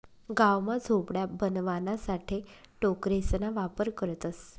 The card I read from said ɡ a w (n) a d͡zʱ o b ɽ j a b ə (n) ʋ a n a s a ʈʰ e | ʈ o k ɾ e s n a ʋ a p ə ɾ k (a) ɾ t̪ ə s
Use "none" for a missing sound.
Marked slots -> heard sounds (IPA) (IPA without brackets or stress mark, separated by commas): m, n, ə